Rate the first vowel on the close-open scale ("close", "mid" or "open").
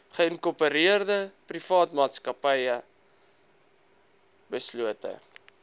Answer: mid